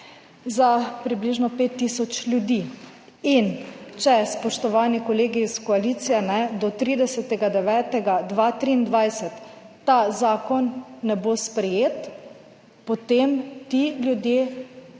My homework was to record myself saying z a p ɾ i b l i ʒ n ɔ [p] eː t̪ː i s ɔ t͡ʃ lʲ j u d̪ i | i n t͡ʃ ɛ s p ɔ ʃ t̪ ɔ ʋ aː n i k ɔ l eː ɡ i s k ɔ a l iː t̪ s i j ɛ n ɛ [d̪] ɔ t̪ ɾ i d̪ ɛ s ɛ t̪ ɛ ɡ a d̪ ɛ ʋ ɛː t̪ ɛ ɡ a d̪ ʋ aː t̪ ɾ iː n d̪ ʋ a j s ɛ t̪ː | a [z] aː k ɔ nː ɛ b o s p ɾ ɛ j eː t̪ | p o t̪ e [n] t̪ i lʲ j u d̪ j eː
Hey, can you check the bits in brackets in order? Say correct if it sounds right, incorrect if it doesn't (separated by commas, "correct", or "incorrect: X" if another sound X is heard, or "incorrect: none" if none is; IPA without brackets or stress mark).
correct, correct, correct, incorrect: m